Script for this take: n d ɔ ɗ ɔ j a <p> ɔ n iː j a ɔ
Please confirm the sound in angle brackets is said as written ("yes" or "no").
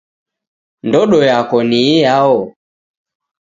no